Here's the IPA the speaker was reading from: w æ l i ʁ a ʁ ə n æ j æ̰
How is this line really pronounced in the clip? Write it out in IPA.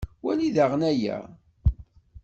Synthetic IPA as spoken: w æ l i ð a ʁ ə n æ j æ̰